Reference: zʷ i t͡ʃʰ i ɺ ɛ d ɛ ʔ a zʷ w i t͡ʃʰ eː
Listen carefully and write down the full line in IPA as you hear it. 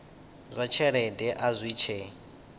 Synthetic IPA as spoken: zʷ a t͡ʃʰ ɛ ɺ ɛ d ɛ ʔ a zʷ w i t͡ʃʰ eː

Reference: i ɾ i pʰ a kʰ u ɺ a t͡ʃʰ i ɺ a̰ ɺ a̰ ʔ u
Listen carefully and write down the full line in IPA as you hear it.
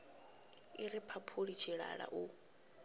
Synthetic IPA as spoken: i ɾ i pʰ a pʰ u ɺ i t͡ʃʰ i ɺ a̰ ɺ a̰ ʔ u

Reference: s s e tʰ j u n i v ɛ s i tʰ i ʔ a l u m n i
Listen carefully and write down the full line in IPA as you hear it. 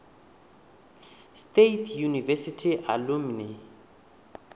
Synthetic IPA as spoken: s t e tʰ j u n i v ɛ s i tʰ i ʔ a l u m n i

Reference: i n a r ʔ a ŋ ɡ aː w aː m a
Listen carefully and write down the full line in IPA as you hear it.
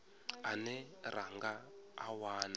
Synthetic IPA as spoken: a n ɛ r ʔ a ŋ ɡ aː w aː n a

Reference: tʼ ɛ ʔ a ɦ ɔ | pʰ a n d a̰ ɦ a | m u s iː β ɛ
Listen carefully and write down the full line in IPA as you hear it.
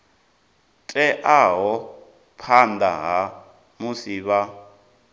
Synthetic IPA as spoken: tʼ ɛ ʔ a ɦ ɔ | pʰ a n d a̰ ɦ a | m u s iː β a

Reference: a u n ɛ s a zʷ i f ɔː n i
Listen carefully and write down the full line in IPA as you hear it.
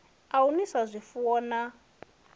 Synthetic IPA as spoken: a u n i s a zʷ i f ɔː n a

